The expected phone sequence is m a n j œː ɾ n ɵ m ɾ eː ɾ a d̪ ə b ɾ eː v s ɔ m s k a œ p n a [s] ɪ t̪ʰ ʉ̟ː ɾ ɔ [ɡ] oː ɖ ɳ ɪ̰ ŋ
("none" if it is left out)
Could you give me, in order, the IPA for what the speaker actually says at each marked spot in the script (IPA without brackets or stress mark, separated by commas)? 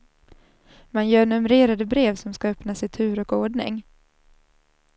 s, k